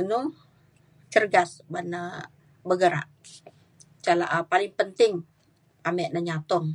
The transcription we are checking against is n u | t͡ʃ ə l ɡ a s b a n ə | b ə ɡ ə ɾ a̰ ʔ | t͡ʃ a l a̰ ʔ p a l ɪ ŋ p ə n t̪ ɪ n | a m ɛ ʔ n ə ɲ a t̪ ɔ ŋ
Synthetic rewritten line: n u | t͡ʃ ə r ɡ a s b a n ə | b ə ɡ ə ɾ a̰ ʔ | t͡ʃ a l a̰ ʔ p a l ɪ ŋ p ə n t̪ ɪ ŋ | a m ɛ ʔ n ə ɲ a t̪ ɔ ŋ